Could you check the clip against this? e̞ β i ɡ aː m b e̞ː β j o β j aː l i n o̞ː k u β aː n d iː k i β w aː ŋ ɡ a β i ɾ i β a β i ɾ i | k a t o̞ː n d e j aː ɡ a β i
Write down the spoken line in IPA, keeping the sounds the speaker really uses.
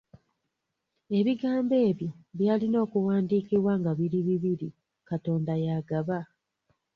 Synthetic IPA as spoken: e̞ β i ɡ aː m b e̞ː β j o β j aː l i n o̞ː k u w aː n d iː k i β w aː ŋ ɡ a β i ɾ i β i β i ɾ i | k a t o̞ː n d a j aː ɡ a β a